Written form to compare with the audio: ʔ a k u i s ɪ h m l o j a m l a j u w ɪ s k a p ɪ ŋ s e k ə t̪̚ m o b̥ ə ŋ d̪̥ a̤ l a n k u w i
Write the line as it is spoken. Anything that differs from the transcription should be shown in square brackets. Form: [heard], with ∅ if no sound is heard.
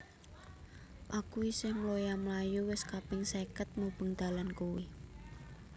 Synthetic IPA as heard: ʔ a k u i s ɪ h m l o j a m l a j u w ɪ s k a p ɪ ŋ s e k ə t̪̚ m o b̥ ə ŋ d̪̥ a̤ l a n k u w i